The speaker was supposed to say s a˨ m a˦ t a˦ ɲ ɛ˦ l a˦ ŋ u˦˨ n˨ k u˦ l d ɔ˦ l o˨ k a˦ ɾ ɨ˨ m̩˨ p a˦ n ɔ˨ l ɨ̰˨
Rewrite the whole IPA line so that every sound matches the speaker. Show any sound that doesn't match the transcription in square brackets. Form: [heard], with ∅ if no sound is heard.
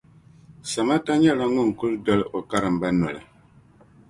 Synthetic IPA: s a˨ m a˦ t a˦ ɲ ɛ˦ l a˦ ŋ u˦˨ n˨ k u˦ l d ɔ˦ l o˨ k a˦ ɾ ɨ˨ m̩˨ [b] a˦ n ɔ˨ l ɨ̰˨